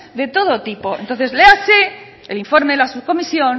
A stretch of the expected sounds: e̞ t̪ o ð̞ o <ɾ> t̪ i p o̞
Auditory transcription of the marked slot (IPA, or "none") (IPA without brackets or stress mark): none